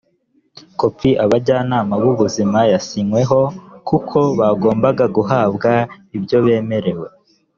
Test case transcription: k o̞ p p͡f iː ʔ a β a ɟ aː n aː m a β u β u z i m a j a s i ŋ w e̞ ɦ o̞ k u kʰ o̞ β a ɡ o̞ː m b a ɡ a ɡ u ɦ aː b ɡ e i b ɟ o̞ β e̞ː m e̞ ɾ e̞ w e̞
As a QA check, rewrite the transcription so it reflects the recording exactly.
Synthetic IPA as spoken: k o̞ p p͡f i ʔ a β a ɟ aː n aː m a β u β u z i m a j a s i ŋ w e̞ ɦ o̞ k u kʰ o̞ β a ɡ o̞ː m b a ɡ a ɡ u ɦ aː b ɡ a i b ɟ o̞ β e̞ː m e̞ ɾ e̞ w e̞